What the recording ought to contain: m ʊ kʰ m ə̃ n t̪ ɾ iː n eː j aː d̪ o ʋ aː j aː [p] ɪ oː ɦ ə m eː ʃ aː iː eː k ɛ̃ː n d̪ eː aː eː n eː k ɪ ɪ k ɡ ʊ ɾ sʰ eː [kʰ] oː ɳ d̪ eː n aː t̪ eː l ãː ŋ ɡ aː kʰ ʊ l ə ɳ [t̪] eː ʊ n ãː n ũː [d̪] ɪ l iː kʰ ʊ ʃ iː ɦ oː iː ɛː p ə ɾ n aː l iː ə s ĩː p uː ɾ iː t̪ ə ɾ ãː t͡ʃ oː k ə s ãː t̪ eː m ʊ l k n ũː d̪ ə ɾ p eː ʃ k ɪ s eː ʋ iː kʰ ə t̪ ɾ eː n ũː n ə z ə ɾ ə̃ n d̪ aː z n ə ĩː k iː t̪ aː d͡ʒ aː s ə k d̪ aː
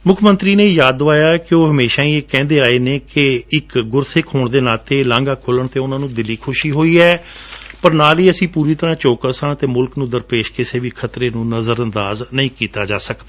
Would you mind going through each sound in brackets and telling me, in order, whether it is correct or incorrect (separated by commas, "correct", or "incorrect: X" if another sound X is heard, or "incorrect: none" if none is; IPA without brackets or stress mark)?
incorrect: k, correct, correct, correct